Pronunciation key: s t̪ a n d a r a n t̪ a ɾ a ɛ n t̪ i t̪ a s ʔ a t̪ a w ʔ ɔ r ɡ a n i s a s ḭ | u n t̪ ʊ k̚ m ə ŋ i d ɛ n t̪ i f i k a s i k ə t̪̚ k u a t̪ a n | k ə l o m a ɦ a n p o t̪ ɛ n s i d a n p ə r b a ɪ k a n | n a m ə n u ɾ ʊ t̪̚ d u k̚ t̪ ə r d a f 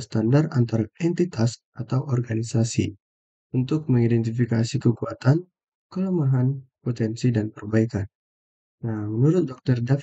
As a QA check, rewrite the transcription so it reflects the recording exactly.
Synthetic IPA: s t̪ a n d a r a n t̪ a ɾ a ɛ n t̪ i t̪ a s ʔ a t̪ a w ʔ ɔ r ɡ a n i s a s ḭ | u n t̪ ʊ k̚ m ə ŋ i d ɛ n t̪ i f i k a s i k ə k u a t̪ a n | k ə l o m a ɦ a n p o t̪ ɛ n s i d a n p ə r b a i k a n | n a m ə n u ɾ ʊ t̪̚ d ɔ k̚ t̪ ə r d a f